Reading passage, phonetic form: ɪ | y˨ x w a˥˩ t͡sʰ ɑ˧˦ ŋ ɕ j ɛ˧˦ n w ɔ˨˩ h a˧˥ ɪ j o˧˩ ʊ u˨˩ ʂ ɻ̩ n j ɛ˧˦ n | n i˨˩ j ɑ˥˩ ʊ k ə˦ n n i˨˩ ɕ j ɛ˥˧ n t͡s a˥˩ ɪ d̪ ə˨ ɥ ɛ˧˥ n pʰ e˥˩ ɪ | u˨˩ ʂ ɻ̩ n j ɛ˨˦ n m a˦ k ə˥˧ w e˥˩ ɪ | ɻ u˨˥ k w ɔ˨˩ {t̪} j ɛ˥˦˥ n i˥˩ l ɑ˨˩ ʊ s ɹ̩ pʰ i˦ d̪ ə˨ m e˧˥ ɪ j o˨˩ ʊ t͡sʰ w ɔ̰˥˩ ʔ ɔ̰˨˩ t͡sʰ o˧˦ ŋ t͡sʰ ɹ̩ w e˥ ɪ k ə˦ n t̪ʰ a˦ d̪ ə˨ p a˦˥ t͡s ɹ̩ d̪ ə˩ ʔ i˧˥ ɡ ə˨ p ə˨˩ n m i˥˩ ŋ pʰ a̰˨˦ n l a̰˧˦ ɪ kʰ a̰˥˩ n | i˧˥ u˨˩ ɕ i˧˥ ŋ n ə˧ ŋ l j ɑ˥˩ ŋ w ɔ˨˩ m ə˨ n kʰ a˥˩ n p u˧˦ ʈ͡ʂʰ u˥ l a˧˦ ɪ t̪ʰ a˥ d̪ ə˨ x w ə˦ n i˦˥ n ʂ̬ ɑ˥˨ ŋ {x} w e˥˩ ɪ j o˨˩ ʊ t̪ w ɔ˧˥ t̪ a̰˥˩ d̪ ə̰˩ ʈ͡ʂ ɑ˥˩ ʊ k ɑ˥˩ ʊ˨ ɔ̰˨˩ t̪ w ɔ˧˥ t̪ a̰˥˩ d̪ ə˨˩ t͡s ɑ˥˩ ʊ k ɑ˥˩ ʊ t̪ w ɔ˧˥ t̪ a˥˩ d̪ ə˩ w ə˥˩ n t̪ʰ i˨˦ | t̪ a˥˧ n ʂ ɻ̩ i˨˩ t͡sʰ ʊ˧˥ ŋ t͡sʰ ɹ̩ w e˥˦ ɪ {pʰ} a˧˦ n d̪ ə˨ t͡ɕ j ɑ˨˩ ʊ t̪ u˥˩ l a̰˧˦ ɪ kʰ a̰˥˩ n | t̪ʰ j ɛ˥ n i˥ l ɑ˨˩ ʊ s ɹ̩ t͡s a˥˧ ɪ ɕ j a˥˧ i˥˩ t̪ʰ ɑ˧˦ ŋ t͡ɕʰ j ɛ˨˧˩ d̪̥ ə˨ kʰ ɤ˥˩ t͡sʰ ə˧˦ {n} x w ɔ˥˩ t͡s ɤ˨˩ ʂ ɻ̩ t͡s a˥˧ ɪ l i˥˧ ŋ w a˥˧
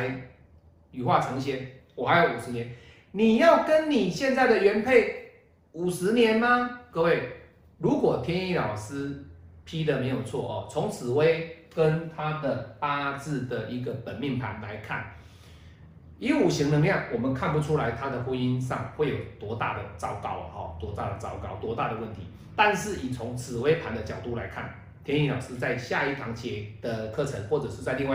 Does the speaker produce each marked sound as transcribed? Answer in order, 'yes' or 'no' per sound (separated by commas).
no, yes, yes, no